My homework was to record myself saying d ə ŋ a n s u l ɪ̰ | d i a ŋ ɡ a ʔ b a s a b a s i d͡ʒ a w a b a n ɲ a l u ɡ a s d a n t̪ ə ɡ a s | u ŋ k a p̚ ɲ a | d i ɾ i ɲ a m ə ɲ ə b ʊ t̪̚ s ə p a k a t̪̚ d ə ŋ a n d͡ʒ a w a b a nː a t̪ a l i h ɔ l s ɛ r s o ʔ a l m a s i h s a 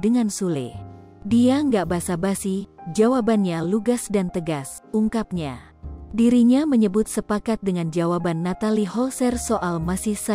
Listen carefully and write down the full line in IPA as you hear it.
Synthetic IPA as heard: d ə ŋ a n s u l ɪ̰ | d i a ŋ ɡ a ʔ b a s a b a s i d͡ʒ a w a b a n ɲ a l u ɡ a s d a n t̪ ə ɡ a s | u ŋ k a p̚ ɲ a | d i ɾ i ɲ a m ə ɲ ə b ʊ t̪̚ s ə p a k a t̪̚ d ə ŋ a n d͡ʒ a w a b a nː a t̪ a l i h ɔ l s ɛ r s o ʔ a l m a s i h s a